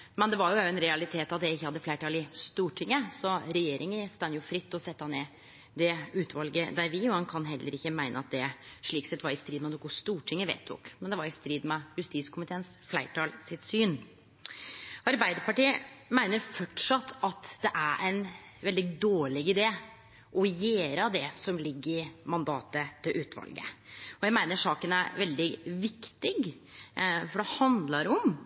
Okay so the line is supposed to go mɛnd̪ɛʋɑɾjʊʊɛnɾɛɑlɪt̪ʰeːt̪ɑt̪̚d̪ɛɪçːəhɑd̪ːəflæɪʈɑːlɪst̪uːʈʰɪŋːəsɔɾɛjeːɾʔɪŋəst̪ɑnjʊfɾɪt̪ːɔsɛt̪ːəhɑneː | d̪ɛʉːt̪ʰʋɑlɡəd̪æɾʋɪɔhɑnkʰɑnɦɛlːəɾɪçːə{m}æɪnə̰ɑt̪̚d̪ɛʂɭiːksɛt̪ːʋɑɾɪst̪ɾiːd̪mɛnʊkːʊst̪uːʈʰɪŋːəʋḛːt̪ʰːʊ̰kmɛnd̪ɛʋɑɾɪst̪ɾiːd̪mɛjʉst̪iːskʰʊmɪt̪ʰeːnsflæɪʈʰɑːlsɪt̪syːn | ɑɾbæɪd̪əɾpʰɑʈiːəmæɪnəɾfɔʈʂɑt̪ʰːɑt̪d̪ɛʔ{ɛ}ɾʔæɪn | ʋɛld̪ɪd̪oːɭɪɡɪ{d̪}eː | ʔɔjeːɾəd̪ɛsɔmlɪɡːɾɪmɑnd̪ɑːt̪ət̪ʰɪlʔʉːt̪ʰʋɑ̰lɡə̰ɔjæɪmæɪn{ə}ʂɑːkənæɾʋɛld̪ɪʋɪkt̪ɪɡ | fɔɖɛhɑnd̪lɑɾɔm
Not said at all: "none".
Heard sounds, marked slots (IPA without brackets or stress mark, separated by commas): m, æ, d̪, ə